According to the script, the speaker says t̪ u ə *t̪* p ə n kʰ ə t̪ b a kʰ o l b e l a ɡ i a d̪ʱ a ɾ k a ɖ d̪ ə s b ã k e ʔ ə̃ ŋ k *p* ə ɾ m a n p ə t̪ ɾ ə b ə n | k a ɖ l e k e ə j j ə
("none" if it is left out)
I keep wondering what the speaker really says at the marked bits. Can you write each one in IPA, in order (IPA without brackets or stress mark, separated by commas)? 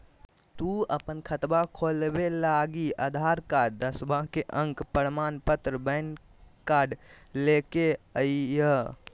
none, p